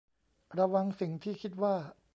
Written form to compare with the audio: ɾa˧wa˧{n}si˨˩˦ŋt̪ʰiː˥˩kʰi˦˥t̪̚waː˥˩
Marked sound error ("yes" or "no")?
yes